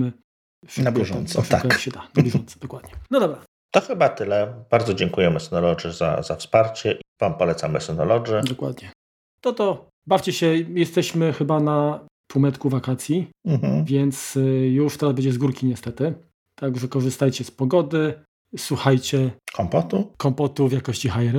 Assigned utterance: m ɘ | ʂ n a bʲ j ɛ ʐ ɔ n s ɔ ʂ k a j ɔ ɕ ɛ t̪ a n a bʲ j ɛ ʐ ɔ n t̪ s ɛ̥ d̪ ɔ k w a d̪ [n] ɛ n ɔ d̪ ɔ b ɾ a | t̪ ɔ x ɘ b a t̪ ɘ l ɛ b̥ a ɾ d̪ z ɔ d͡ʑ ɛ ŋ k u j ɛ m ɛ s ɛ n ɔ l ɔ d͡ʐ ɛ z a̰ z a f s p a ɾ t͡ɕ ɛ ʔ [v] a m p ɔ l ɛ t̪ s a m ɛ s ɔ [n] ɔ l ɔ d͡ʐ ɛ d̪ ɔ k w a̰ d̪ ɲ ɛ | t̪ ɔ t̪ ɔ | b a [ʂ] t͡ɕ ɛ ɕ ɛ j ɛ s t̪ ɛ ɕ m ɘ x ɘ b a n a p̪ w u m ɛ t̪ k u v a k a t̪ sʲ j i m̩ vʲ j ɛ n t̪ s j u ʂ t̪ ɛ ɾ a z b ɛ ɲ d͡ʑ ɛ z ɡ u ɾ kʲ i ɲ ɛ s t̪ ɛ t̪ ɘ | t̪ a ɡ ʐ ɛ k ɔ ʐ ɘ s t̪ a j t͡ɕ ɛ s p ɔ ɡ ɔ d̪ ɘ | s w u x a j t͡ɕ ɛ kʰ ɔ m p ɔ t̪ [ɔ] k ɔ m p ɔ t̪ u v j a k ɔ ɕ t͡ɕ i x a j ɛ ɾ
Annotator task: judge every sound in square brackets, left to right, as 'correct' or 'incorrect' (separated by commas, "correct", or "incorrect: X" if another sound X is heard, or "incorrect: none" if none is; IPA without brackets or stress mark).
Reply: incorrect: ɲ, correct, correct, incorrect: f, incorrect: u